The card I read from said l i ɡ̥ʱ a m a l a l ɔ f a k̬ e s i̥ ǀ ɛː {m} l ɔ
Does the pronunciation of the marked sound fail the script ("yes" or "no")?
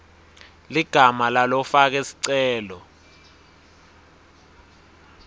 yes